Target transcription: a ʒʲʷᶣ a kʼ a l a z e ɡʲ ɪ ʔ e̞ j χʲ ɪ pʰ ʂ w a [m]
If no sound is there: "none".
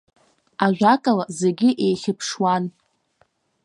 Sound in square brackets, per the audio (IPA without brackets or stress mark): n